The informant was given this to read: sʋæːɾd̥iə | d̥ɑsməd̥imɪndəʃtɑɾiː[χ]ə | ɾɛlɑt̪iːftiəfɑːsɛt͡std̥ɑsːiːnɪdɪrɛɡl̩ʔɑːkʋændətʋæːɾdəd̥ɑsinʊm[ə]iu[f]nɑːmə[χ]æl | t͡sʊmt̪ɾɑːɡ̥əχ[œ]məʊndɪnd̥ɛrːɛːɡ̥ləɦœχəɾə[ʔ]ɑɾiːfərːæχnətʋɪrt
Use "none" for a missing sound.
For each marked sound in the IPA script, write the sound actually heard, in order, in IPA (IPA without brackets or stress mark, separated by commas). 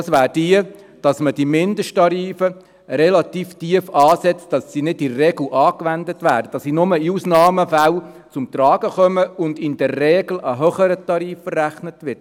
f, ə, s, f, œ, t